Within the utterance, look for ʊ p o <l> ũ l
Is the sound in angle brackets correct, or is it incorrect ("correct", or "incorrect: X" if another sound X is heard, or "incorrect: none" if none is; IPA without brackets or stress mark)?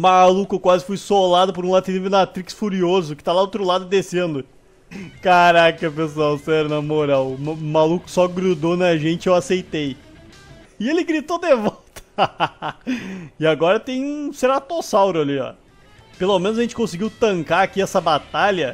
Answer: incorrect: ɾ